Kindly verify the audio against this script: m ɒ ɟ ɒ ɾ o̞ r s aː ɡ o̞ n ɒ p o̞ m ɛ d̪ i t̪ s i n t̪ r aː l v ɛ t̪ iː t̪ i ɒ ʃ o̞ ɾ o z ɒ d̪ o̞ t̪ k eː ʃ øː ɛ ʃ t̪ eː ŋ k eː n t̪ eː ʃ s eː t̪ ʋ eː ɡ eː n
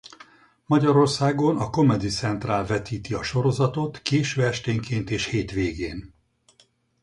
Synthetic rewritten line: m ɒ ɟ ɒ ɾ o̞ r s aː ɡ o̞ n ɒ k o̞ m ɛ d̪ i t̪ s ɛ n t̪ r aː l v ɛ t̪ iː t̪ i ɒ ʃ o̞ ɾ o z ɒ t̪ o̞ t̪ k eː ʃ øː ɛ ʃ t̪ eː ŋ k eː n t̪ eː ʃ h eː t̪ ʋ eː ɡ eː n